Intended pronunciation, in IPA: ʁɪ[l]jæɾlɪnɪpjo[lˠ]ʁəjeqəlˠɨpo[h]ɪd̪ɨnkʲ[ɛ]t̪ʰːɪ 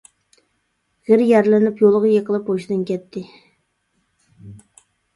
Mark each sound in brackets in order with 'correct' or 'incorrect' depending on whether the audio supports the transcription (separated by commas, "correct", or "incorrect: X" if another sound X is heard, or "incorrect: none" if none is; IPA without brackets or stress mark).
incorrect: ɾ, correct, incorrect: ʃ, correct